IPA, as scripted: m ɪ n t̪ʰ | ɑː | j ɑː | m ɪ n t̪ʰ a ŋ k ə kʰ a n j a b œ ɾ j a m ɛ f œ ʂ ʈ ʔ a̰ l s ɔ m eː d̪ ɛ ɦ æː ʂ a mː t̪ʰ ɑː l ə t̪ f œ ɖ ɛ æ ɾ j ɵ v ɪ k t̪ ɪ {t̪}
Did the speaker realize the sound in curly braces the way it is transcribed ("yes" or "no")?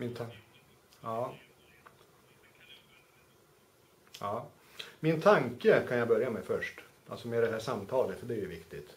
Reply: yes